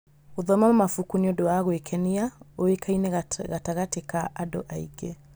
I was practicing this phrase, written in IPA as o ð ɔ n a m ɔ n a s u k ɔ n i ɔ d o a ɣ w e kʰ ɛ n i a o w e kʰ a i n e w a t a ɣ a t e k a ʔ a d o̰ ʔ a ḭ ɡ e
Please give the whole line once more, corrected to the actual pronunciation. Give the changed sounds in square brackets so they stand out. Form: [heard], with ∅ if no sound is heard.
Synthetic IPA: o ð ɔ [m] a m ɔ [m] a [f] u k [u] n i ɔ d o a ɣ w e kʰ ɛ n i a o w e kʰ a i n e [ɣ] a t a ɣ a t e k a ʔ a d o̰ ʔ a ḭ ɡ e

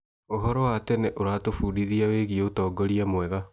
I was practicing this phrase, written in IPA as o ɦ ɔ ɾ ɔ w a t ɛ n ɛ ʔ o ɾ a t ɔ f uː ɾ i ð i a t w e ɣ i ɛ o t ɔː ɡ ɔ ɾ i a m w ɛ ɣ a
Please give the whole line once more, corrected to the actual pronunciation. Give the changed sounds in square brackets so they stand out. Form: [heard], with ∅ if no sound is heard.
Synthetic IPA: o ɦ ɔ ɾ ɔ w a t ɛ n ɛ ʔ o ɾ a t [o] f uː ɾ i ð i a [∅] w e ɣ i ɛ o t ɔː ɡ ɔ ɾ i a m w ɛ ɣ a

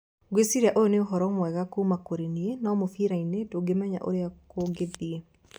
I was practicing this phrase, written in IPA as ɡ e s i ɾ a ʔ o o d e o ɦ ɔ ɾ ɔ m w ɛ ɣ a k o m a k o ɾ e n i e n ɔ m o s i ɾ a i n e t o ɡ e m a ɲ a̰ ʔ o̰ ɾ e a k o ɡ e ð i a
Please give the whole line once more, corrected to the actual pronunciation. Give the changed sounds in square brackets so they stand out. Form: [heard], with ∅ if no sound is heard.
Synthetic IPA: ɡ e s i ɾ a ʔ o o [n] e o ɦ ɔ ɾ ɔ m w ɛ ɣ a k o m a k o ɾ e n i e n ɔ m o [f] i ɾ a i n e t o ɡ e m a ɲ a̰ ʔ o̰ ɾ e a k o ɡ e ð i [e]

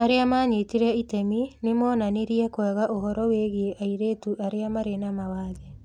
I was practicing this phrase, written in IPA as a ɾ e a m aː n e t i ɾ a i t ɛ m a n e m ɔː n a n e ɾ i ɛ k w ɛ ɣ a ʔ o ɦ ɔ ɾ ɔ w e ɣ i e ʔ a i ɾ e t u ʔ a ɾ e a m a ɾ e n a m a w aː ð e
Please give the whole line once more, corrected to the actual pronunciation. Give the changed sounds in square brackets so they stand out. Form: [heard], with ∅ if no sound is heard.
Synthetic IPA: a ɾ e a m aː [ɲ] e t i ɾ [ɛ] i t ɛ m [i] n e m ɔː n a n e ɾ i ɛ k w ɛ ɣ a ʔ o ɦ ɔ ɾ ɔ w e ɣ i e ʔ a i ɾ e t u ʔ a ɾ e a m a ɾ e n a m a w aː ð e

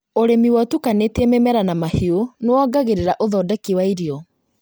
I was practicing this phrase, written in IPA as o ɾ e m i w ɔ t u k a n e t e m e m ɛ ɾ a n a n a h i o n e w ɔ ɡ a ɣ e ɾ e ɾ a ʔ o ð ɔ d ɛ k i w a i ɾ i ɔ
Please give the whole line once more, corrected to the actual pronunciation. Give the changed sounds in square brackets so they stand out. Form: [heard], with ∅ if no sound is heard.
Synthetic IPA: o ɾ e m i w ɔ t u k a n e t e m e m ɛ ɾ a n a [m] a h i o n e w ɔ ɡ a ɣ e ɾ e ɾ a ʔ o ð ɔ d ɛ k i w a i ɾ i ɔ

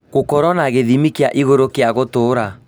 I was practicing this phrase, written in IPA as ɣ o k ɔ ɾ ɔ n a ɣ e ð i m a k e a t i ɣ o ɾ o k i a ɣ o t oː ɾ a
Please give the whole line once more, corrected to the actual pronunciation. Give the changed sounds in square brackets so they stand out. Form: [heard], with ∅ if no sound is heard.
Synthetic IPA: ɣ o k ɔ ɾ ɔ n a ɣ e ð i m [i] k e a [ʔ] i ɣ o ɾ o k [e] a ɣ o t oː ɾ a

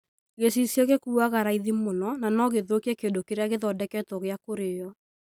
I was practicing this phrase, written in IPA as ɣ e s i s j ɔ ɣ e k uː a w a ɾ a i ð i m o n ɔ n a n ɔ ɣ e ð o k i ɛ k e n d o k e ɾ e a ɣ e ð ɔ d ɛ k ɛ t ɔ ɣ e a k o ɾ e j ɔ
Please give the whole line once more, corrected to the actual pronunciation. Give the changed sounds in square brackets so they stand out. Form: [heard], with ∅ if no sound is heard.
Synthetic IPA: ɣ e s i s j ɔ ɣ e k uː a [ɣ] a ɾ a i ð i m o n ɔ n a n ɔ ɣ e ð o k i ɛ k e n d o k e ɾ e a ɣ e ð ɔ d ɛ k ɛ t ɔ ɣ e a k o ɾ e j ɔ

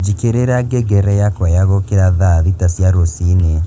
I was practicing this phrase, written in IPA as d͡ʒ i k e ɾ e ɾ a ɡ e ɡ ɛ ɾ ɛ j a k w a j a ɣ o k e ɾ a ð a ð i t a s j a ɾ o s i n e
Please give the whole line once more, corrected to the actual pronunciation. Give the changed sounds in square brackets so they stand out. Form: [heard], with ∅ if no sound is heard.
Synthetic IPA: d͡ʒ i k e ɾ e ɾ a ɡ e ɡ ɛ ɾ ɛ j a k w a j a ɣ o k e ɾ a ð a ð i t a s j a ɾ o s i n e

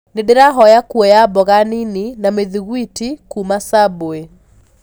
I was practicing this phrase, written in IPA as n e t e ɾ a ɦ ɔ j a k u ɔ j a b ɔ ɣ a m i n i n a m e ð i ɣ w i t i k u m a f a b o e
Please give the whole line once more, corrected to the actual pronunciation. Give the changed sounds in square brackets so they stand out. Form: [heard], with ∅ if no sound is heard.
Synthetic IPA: n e [d] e ɾ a ɦ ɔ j a k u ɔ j a b ɔ ɣ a [n] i n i n a m e ð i ɣ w i t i k u m a [s] a b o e

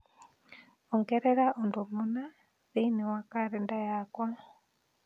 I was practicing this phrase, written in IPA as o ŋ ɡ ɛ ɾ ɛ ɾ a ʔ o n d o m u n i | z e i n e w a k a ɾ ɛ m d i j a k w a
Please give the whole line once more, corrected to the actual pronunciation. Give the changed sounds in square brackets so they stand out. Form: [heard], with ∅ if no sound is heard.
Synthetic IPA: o ŋ ɡ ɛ ɾ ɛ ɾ a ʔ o n d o m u n [a] | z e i n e w a k a ɾ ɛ [n] d [a] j a k w a

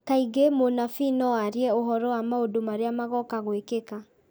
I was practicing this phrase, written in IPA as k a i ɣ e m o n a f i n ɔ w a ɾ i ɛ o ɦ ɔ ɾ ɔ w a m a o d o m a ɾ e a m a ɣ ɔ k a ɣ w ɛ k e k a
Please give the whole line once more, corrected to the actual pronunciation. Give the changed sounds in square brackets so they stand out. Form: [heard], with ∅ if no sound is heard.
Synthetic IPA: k a i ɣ e m o n a f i n ɔ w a ɾ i ɛ o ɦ ɔ ɾ ɔ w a m a o d o m a ɾ e a m a ɣ ɔ k a ɣ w [e] k e k a

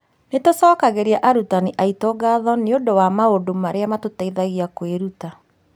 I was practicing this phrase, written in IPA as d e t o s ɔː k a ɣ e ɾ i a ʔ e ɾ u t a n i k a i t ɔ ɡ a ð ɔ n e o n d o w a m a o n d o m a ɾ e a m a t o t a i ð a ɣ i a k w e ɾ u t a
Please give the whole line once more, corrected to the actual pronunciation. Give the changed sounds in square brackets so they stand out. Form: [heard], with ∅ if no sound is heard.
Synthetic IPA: [n] e t o s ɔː k a ɣ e ɾ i a ʔ [a] ɾ u t a n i [ʔ] a i t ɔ ɡ a ð ɔ n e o n d o w a m a o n d o m a ɾ e a m a t o t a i ð a ɣ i a k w e ɾ u t a

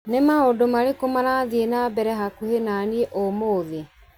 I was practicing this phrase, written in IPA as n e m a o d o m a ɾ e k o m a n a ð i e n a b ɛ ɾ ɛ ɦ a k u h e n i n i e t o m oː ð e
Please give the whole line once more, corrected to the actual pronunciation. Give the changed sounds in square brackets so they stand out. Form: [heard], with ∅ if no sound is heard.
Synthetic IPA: n e m a o d o m a ɾ e k o m a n a ð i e n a b ɛ ɾ ɛ ɦ a k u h e n [a] n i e [ʔ] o m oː ð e

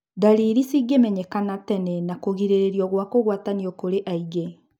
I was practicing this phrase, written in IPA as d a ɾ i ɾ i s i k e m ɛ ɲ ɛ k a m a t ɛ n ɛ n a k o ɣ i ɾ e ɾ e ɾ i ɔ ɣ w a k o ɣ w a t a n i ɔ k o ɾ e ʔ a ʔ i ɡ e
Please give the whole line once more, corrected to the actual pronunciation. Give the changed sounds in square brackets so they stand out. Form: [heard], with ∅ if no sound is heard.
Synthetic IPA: d a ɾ i ɾ i s i [ɡ] e m ɛ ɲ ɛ k a [n] a t ɛ n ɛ n a k o ɣ i ɾ e ɾ e ɾ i ɔ ɣ w a k o ɣ w a t a n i ɔ k o ɾ e ʔ a [∅] i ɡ e

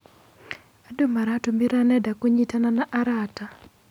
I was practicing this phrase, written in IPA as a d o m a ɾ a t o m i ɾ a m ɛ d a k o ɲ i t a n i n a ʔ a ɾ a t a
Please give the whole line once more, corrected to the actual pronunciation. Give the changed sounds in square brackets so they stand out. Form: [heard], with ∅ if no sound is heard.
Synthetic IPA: a d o m a ɾ a t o m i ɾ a [n] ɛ d a k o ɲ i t a n [a] n a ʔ a ɾ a t a

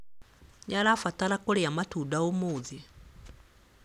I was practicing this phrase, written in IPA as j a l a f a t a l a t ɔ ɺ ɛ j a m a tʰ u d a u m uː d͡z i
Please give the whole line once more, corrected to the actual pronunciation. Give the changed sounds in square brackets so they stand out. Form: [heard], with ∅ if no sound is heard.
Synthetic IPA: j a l a f a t a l a [k] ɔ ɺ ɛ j a m a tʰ u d a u m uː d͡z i

